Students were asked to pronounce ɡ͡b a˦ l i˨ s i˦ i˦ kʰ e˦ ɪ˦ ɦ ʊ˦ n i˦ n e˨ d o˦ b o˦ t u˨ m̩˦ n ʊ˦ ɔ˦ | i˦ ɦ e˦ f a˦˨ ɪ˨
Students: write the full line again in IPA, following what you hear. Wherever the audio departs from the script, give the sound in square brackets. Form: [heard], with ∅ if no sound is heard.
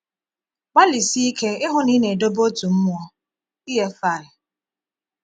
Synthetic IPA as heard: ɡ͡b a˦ l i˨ s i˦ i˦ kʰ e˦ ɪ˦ ɦ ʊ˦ n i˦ n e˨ d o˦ b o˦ t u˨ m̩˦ [m] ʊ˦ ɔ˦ | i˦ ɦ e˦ f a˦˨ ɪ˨